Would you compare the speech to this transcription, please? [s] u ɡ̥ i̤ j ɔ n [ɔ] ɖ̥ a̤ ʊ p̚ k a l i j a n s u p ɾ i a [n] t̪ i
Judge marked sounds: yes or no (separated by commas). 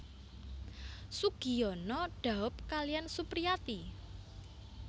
yes, yes, no